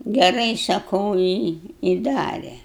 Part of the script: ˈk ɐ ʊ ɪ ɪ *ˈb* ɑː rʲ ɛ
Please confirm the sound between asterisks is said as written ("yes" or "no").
no